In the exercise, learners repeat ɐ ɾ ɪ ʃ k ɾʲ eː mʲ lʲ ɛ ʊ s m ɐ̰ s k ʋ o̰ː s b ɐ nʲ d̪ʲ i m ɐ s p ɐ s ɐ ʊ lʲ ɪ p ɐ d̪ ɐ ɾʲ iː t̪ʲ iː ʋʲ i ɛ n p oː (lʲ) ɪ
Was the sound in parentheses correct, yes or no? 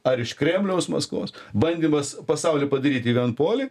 yes